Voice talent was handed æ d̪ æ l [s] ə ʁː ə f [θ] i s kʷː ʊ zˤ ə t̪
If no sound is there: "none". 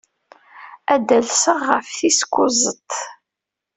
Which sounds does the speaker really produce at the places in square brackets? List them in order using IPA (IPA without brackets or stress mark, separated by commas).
s, θ